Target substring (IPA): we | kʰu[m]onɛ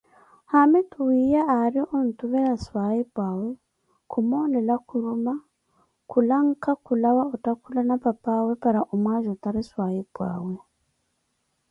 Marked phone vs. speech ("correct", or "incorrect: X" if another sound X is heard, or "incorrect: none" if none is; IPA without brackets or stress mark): correct